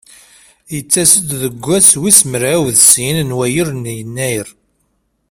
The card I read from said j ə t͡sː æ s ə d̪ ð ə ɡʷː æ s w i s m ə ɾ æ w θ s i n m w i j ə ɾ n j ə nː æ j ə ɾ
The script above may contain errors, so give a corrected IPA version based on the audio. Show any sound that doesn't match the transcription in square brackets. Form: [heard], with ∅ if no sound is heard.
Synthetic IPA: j ə t͡sː æ s ə d̪ ð ə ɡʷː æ s w i s m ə ɾ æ w [ð] s i n [n] w [æ] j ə ɾ n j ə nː æ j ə ɾ